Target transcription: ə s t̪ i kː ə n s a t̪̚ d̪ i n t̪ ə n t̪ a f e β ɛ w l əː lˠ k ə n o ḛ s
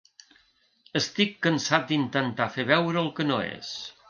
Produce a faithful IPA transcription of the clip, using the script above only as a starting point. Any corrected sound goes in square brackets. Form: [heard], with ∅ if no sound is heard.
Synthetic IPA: ə s t̪ i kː ə n s a t̪̚ d̪ i n t̪ ə n t̪ a f e β ɛ w [ɾ] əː lˠ k ə n o ḛ s